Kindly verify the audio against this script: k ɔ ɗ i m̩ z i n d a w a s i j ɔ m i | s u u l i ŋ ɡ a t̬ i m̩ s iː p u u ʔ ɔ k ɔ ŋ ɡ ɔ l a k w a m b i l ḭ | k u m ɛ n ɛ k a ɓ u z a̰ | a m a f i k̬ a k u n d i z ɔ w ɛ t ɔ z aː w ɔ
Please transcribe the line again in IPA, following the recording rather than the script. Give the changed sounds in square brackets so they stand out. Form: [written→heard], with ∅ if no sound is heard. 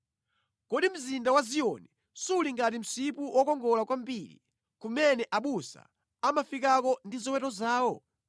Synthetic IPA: k ɔ ɗ i m̩ z i n d a w a [s→z] i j ɔ [m→n] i | s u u l i ŋ ɡ a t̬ i m̩ s [iː→i] p u [u→w] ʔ ɔ k ɔ ŋ ɡ ɔ l a k w a m b i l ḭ | k u m ɛ n ɛ [k→ʔ] a ɓ u [z→s] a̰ | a m a f i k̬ a k [u→ɔ] n d i z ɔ w ɛ t ɔ z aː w ɔ